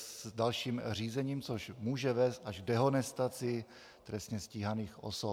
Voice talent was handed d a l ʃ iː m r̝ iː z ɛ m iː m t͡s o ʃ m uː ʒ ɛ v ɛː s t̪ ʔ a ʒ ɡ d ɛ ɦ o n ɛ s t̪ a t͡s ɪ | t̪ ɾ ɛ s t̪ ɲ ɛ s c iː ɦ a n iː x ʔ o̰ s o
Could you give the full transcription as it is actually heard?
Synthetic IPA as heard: d a l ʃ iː m r̝ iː z ɛ ɲ iː m t͡s o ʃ m uː ʒ ɛ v ɛː s t̪ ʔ a ʒ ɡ d ɛ ɦ o n ɛ s t̪ a t͡s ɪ | t̪ ɾ ɛ s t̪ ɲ ɛ s c iː ɦ a n iː x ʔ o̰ s o